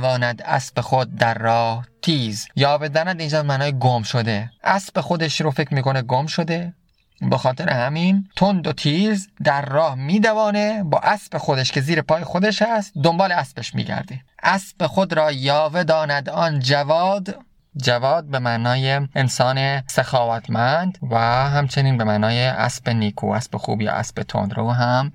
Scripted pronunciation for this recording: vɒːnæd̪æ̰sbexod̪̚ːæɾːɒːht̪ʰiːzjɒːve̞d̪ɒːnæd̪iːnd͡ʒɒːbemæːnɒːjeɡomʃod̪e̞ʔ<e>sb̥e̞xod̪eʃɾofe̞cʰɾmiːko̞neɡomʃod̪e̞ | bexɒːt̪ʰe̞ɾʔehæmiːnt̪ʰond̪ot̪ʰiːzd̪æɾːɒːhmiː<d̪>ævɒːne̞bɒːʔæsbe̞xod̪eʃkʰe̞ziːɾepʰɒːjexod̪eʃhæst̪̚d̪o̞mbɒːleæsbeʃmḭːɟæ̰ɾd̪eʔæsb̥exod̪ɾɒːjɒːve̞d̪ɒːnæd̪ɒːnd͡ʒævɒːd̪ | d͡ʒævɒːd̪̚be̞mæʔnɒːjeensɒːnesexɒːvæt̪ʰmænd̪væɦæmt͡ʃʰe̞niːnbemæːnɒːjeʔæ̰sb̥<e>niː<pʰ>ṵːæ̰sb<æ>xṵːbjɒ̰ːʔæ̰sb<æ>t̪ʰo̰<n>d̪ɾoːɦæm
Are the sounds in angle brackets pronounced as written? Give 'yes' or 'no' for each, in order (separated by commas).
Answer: no, yes, yes, no, no, no, yes